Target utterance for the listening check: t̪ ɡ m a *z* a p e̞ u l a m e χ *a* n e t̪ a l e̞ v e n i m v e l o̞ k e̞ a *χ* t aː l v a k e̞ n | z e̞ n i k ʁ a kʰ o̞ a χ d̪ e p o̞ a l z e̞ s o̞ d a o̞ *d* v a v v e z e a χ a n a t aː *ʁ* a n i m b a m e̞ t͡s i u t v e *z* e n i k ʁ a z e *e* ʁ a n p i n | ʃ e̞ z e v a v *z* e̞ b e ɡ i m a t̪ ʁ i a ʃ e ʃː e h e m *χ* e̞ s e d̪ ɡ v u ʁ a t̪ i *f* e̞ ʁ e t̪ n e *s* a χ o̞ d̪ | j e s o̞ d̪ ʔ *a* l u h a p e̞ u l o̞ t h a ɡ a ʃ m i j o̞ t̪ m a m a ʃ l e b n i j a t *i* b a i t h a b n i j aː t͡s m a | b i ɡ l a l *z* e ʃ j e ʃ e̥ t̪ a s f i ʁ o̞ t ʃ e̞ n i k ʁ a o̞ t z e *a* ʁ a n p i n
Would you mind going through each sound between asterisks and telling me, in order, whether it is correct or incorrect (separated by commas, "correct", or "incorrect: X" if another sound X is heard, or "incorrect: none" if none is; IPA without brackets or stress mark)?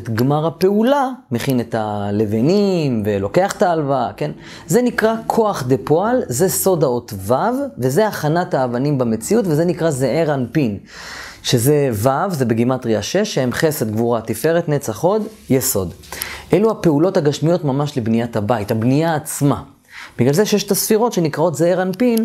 incorrect: ʁ, incorrect: i, correct, incorrect: t, incorrect: v, correct, correct, correct, correct, correct, incorrect: t͡s, incorrect: e, incorrect: a, correct, incorrect: e